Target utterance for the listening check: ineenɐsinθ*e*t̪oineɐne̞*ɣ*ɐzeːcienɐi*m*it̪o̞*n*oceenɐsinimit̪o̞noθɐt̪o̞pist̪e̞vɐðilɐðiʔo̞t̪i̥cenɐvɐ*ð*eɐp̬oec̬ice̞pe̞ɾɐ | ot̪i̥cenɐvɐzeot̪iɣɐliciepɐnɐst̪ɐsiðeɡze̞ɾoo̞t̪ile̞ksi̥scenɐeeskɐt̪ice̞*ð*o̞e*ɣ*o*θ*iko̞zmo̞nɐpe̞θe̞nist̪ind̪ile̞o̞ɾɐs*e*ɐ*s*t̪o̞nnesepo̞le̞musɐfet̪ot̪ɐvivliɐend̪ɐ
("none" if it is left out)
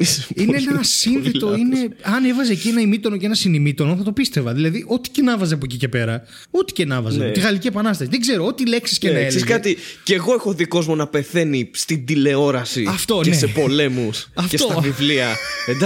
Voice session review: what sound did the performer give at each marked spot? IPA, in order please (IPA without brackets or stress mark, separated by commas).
e, v, m, n, z, ɣ, x, ð, i, f